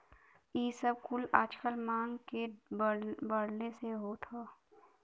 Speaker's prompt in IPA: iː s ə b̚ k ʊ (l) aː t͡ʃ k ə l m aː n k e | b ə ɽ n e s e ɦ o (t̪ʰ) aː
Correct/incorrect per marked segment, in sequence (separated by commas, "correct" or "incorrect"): correct, correct